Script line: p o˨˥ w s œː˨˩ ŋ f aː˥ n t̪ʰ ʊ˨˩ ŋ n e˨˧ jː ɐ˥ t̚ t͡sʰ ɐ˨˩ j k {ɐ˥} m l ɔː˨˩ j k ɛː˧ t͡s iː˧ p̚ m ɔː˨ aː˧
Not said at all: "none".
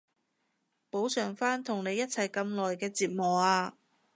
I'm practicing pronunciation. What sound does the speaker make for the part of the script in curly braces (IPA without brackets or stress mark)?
ɐ˧